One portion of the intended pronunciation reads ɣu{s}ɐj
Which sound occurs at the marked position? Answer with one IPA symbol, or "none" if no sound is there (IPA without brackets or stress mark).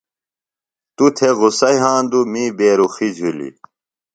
s